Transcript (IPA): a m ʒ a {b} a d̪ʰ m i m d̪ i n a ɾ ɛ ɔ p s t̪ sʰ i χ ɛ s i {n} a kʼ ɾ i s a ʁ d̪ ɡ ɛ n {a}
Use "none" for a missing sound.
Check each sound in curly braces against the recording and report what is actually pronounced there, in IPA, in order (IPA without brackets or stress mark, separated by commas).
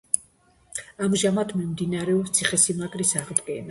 m, m, a